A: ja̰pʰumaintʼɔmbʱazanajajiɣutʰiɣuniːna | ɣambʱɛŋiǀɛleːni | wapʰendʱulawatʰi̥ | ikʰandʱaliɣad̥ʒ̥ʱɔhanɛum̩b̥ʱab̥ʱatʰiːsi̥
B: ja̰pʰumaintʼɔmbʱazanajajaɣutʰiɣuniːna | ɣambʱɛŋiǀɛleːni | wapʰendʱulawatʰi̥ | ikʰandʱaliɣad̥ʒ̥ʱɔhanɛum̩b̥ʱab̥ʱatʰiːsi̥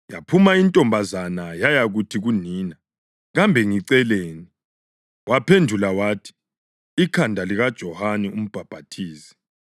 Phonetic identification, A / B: B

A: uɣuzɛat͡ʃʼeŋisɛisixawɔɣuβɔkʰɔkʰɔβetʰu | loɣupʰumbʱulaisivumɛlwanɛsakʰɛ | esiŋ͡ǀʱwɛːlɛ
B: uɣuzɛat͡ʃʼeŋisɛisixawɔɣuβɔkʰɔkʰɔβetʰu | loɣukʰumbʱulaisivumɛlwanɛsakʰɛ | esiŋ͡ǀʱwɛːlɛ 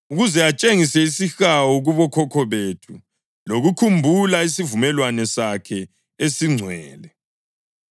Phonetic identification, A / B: B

